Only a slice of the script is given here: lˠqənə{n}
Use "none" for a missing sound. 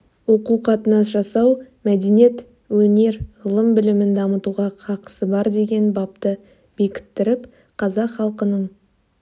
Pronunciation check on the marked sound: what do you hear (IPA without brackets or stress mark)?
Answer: ɴ